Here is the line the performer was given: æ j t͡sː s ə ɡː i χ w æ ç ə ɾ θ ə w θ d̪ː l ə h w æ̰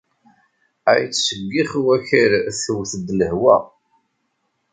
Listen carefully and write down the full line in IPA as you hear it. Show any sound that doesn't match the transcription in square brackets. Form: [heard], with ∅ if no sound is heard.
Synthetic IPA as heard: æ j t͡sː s ə ɡː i χ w æ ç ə ɾ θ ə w θ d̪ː l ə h w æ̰